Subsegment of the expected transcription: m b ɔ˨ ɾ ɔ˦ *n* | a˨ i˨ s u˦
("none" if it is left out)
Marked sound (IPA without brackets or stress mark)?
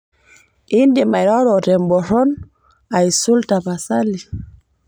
n